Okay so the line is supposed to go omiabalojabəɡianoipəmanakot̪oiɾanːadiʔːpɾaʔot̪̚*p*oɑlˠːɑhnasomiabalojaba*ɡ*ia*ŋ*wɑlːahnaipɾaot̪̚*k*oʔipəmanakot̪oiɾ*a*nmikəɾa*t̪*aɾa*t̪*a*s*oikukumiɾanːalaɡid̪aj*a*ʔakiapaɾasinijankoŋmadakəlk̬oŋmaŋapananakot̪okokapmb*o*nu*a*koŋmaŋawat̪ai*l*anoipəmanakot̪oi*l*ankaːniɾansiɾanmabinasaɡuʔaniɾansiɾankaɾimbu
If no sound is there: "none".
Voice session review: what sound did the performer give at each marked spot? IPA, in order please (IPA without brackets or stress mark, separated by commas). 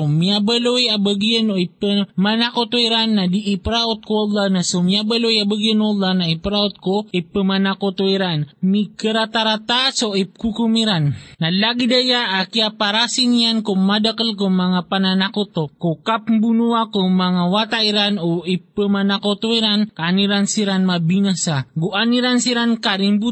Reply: k, ɡ, n, k, a, t̪, t̪, s, a, u, a, ɾ, ɾ